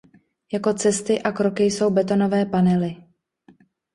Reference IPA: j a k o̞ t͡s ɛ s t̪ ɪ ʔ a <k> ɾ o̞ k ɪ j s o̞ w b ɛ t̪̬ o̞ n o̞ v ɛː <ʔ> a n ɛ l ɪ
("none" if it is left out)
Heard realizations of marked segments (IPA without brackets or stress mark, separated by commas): k, p